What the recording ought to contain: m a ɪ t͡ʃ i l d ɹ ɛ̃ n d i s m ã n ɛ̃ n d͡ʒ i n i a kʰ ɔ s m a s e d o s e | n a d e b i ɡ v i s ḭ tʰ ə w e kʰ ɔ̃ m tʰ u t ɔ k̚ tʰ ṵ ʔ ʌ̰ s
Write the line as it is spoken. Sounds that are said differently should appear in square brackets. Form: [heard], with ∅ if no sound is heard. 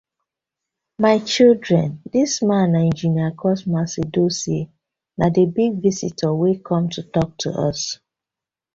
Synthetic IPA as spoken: m a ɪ t͡ʃ i l d ɹ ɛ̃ n d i s m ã n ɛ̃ n d͡ʒ i n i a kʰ ɔ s m a s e d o s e | n a d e b i ɡ v i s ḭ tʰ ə w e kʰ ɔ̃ m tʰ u t ɔ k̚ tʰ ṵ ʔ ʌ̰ s

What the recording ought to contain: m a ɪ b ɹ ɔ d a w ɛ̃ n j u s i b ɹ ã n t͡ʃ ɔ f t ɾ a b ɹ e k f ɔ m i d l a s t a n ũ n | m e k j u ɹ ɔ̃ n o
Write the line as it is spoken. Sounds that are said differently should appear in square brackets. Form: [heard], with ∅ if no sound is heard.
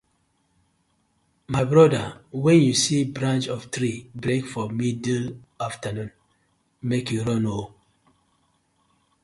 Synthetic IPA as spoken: m a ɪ b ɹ ɔ d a w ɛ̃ n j u s i b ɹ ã n t͡ʃ ɔ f t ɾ [i] b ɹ e k f ɔ m i d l a [f] t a n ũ n | m e k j u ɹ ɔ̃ n o

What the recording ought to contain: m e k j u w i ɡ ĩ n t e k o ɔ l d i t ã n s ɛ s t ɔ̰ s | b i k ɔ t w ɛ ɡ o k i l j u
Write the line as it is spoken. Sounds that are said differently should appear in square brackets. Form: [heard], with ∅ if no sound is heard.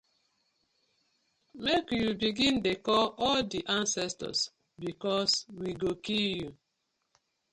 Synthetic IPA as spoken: m e k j u [b] i ɡ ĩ n [d] e k [ɔ] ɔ l d i [ʔ] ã n s ɛ s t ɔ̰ s | b i k ɔ [s] w [i] ɡ o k i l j u

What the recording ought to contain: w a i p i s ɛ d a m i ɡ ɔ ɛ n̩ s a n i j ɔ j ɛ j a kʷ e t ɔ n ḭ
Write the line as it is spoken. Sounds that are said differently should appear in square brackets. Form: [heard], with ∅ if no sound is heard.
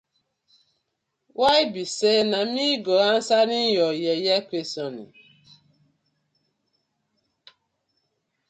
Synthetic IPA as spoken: w a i [b] i s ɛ [n] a m i ɡ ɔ [a] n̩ s a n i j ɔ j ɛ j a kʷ e [s] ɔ n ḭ

